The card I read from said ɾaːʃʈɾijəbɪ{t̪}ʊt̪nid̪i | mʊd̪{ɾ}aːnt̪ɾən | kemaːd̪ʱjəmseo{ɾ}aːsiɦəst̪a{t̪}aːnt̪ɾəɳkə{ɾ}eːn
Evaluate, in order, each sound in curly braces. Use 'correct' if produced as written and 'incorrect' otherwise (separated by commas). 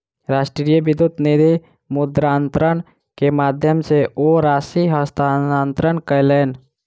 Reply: incorrect, correct, correct, incorrect, incorrect